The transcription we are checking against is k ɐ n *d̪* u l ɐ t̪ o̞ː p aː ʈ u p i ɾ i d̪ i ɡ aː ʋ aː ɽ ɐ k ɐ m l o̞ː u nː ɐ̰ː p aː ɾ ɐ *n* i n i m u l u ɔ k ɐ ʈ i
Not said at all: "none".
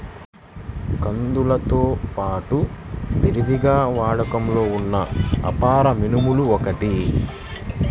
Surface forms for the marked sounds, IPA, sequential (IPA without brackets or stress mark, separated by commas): d̪, m